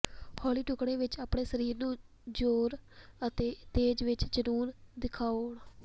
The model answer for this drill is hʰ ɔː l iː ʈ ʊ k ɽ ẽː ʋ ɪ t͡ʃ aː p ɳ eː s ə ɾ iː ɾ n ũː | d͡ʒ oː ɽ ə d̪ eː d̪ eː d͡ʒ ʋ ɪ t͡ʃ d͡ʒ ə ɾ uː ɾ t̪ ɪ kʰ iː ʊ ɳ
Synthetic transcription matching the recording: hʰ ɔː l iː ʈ ʊ k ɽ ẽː ʋ ɪ t͡ʃ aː p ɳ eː s ə ɾ iː ɾ n ũː | d͡ʒ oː ɾ ə t̪ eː t̪ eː d͡ʒ ʋ ɪ t͡ʃ d͡ʒ ə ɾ uː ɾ d̪ ɪ kʰ aː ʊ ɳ